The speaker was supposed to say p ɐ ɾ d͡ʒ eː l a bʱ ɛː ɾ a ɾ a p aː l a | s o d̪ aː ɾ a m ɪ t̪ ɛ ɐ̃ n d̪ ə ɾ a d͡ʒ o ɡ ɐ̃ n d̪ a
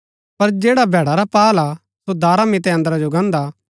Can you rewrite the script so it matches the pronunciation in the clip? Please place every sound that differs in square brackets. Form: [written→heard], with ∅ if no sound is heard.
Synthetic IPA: p ɐ ɾ d͡ʒ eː [l→ɽ] a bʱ ɛː [ɾ→ɽ] a ɾ a p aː l a | s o d̪ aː ɾ a m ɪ t̪ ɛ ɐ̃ n d̪ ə ɾ a d͡ʒ o ɡ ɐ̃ n d̪ a